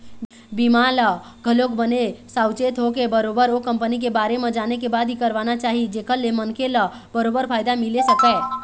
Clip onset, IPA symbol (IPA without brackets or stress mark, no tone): b